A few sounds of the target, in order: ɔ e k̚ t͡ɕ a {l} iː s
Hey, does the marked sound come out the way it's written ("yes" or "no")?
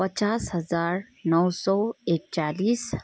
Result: yes